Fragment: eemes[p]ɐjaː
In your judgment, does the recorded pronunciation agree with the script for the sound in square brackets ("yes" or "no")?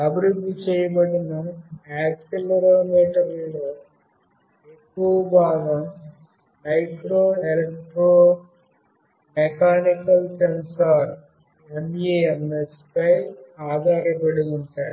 yes